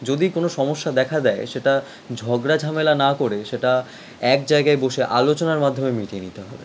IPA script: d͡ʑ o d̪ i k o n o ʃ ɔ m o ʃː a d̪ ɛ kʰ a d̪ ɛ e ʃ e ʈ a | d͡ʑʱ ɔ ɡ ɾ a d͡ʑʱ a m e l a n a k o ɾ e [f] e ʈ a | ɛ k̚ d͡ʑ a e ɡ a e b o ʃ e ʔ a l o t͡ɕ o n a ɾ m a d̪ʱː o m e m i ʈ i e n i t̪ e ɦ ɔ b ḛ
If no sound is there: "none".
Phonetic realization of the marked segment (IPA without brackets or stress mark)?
ʃ